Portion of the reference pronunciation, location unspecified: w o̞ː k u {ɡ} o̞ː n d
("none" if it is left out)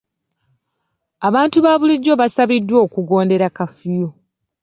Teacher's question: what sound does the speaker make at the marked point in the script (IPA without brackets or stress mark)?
ɡ